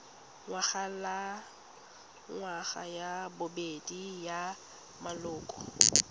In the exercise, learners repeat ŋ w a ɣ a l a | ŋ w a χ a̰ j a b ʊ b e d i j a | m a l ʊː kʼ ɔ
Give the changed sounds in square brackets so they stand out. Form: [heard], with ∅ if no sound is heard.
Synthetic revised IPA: ŋ w a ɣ a l a | ŋ w a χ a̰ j a b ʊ b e d i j a | m a l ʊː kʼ ɔ